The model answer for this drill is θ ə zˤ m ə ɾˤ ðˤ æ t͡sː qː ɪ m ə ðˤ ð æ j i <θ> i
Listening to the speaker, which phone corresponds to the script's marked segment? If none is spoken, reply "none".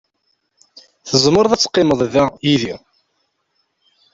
ð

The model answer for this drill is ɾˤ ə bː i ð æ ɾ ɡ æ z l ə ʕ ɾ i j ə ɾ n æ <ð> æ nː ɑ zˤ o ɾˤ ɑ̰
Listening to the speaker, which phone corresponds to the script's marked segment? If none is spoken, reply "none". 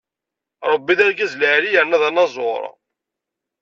ð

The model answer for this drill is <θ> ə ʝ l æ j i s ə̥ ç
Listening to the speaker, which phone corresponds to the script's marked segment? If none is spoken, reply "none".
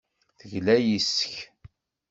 θ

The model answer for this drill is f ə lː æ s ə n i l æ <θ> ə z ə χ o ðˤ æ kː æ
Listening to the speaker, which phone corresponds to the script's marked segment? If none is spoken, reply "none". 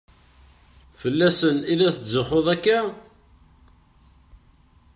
θ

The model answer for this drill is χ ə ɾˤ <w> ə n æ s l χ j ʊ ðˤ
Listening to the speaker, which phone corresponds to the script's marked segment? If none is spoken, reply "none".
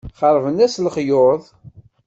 v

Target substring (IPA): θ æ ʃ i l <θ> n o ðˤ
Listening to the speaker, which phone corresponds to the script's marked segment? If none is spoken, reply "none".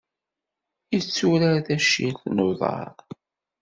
θ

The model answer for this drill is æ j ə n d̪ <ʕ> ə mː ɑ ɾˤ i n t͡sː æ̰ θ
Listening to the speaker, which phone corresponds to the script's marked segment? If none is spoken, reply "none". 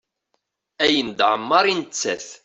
ʕ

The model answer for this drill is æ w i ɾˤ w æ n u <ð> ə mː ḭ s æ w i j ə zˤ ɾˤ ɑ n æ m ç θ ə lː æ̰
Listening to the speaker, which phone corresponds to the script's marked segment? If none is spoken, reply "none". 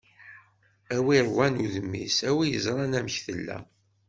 ð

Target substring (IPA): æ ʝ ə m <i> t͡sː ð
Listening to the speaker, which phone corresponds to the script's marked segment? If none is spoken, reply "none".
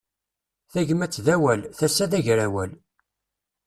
æ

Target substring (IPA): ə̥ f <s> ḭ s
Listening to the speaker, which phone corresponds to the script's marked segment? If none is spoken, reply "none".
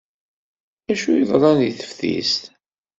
θ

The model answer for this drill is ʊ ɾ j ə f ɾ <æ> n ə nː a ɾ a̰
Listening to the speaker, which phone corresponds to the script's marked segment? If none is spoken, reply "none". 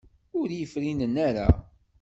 i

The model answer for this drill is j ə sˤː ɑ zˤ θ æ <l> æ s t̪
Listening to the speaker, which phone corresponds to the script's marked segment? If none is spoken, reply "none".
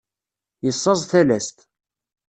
l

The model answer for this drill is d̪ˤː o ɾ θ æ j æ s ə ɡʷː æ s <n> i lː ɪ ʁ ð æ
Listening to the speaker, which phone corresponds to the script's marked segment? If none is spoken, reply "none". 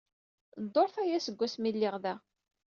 m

